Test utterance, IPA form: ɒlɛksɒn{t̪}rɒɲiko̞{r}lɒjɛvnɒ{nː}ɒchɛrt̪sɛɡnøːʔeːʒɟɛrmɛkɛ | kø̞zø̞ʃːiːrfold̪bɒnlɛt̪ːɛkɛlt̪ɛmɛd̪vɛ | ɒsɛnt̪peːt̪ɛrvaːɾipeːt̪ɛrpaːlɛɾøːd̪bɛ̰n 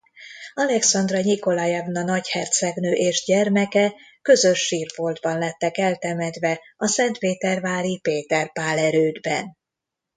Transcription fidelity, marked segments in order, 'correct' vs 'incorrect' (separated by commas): incorrect, incorrect, incorrect